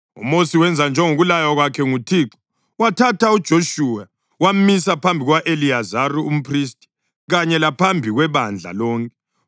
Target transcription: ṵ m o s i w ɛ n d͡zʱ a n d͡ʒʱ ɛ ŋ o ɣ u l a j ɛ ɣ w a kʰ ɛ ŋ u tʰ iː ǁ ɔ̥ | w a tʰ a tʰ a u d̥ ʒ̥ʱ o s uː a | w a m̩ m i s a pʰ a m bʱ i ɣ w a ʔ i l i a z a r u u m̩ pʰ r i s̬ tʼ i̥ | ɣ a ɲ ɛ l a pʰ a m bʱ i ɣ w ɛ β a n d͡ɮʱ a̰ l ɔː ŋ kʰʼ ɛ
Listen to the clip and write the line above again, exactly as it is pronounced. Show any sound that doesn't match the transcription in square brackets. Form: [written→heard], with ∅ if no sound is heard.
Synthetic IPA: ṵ m o s i w ɛ n d͡zʱ a n d͡ʒʱ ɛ ŋ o ɣ u l a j [ɛ→a] ɣ w a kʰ ɛ ŋ u tʰ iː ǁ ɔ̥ | w a tʰ a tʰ a u d̥ ʒ̥ʱ o [s→ʃ] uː a | w a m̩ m i s a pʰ a m bʱ i ɣ w a ʔ [i→e] l i a z a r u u m̩ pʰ r i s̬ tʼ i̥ | ɣ a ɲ ɛ l a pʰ a m bʱ i ɣ w ɛ β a n d͡ɮʱ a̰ l ɔː ŋ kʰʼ ɛ